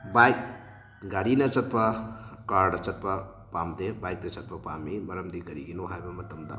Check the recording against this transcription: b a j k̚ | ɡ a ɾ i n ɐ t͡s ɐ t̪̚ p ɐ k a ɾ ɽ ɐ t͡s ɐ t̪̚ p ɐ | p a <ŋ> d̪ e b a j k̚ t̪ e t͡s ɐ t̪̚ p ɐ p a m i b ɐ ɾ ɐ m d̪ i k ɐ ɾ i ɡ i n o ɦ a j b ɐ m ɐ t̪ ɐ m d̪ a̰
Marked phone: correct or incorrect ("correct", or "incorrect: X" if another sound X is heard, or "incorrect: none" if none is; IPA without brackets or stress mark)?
incorrect: m